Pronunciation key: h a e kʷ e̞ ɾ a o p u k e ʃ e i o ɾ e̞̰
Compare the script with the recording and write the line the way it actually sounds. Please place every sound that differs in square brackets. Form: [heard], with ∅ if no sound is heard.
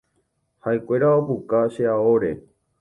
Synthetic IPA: h a e kʷ e̞ ɾ a o p u k [a] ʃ e [a] o ɾ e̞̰